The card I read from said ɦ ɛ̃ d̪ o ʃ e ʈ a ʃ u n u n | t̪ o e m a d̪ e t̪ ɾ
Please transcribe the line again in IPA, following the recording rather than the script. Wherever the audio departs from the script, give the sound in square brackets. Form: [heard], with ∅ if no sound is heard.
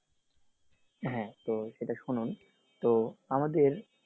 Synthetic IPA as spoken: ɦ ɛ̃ [t̪] o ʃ e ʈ a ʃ u n u n | t̪ o [a] m a d̪ e [∅] ɾ

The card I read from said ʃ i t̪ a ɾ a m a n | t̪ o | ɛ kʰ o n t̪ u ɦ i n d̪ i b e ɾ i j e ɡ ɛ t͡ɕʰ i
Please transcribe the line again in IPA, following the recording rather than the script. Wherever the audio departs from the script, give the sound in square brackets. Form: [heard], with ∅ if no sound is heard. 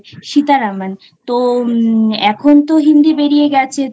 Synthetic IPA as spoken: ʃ i t̪ a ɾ a m a n | t̪ o | ɛ kʰ o n t̪ [o] ɦ i n d̪ i b e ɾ i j e ɡ ɛ t͡ɕʰ [e]

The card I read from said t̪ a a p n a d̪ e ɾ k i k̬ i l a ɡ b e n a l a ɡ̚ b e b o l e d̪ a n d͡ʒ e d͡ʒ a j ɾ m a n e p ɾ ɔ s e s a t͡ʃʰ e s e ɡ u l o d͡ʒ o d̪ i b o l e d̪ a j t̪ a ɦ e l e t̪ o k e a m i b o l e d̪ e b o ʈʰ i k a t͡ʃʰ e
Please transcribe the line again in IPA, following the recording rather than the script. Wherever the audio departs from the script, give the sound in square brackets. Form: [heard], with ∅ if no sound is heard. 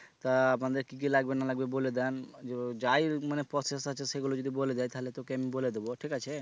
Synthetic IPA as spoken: t̪ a a p n a d̪ e ɾ k i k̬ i l a ɡ b e n a l a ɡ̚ b e b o l e d̪ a n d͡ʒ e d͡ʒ a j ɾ m a n e p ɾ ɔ s e s a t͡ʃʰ e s e ɡ u l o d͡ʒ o d̪ i b o l e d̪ a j t̪ a ɦ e l e t̪ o k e a m i b o l e d̪ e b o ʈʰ i k a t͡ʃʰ e

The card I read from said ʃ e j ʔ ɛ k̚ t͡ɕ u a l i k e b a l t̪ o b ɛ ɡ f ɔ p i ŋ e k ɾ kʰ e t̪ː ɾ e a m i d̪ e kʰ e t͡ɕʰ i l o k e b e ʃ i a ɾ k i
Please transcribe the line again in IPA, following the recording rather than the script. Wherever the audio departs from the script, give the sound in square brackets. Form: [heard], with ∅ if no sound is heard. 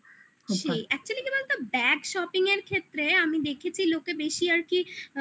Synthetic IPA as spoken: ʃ e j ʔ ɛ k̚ t͡ɕ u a l i k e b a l t̪ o b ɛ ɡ [ʃ] ɔ p i ŋ e [∅] ɾ kʰ e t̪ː ɾ e a m i d̪ e kʰ e t͡ɕʰ i l o k e b e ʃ i a ɾ k i

